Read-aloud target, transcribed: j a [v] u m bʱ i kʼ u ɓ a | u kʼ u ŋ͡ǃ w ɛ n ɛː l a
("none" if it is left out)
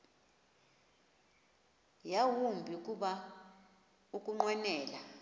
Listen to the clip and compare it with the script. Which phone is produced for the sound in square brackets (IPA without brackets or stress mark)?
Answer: w